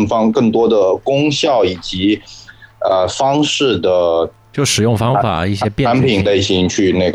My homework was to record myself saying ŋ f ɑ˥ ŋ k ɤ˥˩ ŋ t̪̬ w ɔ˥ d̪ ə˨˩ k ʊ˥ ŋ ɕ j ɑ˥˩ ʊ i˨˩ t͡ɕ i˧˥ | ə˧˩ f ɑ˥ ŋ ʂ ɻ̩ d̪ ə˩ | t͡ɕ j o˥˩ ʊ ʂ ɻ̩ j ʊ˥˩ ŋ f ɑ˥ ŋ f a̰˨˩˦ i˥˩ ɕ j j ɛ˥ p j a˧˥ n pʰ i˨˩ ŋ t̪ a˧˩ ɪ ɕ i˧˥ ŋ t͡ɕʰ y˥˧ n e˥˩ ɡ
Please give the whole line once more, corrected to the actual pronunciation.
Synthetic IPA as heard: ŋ f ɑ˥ ŋ k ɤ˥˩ ŋ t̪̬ w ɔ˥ d̪ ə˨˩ k ʊ˥ ŋ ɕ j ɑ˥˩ ʊ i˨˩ t͡ɕ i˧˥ | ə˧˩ f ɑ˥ ŋ ʂ ɻ̩ d̪ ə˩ | t͡ɕ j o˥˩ ʊ ʂ ɻ̩ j ʊ˥˩ ŋ f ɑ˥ ŋ f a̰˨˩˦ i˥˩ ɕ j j ɛ˥ p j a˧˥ n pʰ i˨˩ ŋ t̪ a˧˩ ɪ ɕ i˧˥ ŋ t͡ɕʰ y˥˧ n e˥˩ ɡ